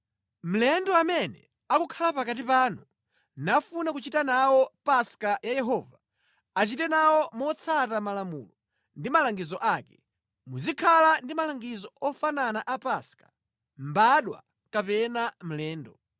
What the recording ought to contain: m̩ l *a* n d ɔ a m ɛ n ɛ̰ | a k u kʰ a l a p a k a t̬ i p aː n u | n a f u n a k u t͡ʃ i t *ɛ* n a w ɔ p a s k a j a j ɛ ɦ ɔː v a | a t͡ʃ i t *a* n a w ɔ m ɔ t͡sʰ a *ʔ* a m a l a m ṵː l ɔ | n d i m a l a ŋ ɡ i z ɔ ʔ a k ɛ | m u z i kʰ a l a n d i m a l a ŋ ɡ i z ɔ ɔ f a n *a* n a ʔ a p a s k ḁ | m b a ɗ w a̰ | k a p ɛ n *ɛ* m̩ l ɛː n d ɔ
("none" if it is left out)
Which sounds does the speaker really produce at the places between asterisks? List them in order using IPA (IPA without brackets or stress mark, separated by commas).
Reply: ɛ, a, ɛ, t, a, a